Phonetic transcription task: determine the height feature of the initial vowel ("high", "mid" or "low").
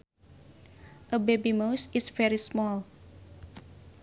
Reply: mid